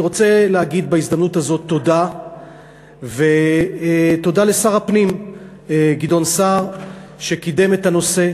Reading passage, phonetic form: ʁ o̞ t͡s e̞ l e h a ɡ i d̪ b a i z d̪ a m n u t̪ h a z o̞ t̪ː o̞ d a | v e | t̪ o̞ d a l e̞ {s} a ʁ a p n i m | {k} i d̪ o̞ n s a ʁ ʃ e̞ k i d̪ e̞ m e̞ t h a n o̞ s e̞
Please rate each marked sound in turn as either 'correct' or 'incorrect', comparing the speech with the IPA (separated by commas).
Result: correct, incorrect